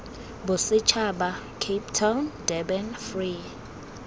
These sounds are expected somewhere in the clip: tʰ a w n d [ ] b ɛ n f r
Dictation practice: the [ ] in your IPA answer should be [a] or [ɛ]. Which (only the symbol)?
ɛ